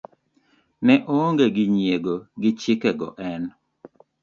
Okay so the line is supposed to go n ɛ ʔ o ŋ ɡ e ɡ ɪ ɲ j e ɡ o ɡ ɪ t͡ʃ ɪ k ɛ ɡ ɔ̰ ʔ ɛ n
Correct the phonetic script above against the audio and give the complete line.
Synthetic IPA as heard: n ɛ ʔ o ŋ ɡ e ɡ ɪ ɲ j e ɡ o ɡ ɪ t͡ʃ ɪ k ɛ ɡ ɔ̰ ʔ ɛ n